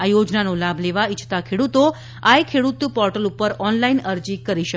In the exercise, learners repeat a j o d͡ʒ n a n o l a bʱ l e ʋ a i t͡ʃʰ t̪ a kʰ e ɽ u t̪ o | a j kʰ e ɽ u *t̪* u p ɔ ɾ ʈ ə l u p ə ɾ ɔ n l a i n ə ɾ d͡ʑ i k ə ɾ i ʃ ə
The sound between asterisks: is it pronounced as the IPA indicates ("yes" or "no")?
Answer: yes